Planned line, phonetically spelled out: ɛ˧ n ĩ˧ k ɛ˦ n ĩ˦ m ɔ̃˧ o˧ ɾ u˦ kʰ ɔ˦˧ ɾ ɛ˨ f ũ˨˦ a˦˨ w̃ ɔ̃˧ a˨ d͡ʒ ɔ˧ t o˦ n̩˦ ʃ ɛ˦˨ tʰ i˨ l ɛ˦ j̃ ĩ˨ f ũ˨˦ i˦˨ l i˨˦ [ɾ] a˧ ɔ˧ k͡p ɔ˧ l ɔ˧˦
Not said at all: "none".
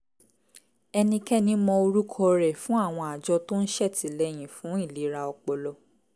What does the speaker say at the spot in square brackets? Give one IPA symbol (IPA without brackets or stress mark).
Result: ɾ